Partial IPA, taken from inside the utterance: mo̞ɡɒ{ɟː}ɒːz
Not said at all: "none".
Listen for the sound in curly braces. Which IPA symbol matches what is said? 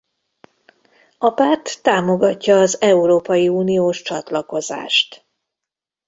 cː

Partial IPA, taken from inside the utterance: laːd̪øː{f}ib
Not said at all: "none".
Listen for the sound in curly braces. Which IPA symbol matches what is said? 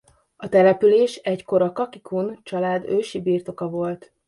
ʃ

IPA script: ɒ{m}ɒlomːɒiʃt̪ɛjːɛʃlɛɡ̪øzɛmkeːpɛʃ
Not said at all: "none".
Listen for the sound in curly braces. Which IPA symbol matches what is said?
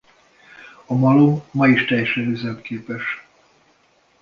m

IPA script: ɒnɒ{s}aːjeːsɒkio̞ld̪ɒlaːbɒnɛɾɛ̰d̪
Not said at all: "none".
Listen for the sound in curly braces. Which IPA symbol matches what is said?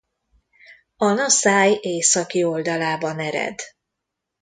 s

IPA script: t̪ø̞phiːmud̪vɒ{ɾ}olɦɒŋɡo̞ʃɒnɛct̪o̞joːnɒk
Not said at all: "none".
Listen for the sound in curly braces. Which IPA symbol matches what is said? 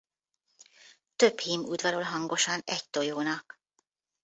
ɾ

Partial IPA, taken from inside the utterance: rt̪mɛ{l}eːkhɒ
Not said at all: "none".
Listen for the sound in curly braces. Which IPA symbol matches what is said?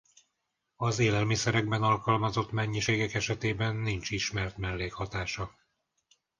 lː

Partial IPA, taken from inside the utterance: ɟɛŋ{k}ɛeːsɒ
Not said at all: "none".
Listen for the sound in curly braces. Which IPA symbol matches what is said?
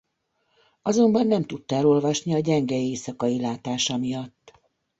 ɡ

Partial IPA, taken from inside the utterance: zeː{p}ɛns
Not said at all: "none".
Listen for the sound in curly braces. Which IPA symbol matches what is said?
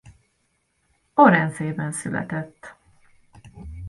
b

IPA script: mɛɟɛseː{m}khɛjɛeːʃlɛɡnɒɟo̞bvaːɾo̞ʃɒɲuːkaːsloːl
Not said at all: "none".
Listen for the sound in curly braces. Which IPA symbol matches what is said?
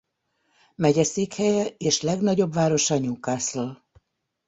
none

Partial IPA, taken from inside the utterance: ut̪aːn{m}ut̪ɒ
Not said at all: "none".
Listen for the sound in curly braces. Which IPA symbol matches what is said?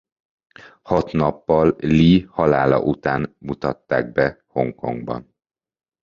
m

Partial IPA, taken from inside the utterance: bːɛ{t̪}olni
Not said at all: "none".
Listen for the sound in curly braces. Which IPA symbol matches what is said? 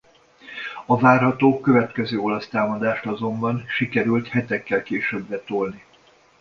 t̪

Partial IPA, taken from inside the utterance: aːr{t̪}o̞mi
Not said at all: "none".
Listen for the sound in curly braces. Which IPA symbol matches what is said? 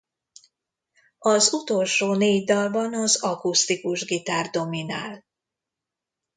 d̪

